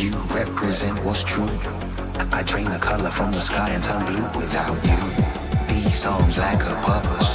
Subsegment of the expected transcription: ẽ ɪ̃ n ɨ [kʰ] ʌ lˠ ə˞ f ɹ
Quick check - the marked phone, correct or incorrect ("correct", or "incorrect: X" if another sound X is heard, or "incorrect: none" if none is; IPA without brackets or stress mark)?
correct